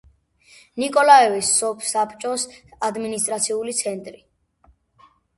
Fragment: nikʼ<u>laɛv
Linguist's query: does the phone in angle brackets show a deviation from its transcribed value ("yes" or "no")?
yes